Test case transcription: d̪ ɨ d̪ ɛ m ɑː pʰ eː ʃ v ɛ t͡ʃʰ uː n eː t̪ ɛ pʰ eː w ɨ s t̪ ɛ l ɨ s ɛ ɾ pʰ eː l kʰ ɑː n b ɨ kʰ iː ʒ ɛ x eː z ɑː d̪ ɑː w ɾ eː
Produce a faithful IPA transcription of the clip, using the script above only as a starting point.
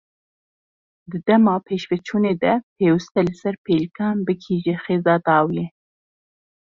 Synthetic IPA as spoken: d̪ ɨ d̪ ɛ m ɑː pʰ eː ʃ v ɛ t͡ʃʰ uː n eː d̪ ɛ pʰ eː w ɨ s t̪ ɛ l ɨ s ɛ ɾ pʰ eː l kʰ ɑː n b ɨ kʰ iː ʒ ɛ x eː z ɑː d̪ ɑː w l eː